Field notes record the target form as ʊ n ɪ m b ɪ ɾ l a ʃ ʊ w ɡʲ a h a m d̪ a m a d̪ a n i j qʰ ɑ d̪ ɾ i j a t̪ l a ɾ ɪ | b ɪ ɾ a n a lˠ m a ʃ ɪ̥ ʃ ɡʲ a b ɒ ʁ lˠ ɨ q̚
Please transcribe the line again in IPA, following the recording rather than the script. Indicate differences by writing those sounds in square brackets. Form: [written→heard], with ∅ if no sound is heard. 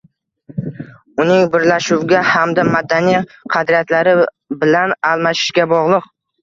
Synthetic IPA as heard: ʊ n ɪ [m→ŋ] b ɪ ɾ l a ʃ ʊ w ɡʲ a h a m d̪ a m a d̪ a n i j qʰ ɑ d̪ ɾ i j a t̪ l a ɾ ɪ | b ɪ [ɾ→l] a n a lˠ m a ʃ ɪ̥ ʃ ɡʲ a b ɒ ʁ lˠ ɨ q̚